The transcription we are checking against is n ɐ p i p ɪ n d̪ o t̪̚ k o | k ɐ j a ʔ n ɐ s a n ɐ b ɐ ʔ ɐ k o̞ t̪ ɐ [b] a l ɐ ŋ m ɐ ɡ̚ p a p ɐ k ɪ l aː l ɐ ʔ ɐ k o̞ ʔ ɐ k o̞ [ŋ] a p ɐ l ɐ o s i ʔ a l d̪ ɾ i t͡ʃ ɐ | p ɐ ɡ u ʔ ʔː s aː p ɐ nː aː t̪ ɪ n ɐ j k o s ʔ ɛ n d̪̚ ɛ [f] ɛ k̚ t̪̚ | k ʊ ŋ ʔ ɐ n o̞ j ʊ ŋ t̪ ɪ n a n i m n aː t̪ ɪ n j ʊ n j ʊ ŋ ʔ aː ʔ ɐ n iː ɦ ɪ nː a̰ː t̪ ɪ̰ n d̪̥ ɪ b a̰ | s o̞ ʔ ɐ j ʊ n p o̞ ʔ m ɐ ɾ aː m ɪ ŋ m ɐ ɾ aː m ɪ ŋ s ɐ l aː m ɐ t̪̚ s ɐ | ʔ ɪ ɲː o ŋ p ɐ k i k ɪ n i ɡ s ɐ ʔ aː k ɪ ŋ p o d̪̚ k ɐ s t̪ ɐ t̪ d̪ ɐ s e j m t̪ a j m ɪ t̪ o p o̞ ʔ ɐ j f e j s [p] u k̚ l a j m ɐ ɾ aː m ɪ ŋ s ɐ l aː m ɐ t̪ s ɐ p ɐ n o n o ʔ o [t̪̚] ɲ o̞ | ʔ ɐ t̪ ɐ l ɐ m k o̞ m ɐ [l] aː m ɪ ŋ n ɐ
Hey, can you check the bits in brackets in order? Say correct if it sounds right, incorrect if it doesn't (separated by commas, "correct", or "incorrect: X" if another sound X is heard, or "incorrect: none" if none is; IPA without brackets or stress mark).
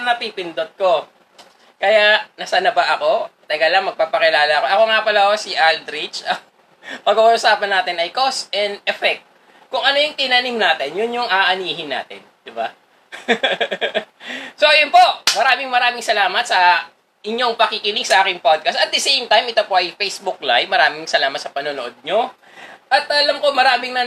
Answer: incorrect: ɡ, correct, correct, incorrect: b, incorrect: d̪̚, incorrect: ɾ